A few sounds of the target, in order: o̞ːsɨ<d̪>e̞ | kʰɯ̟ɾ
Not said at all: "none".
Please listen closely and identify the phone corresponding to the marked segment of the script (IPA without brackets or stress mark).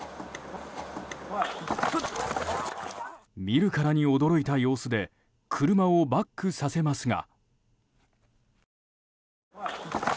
d̪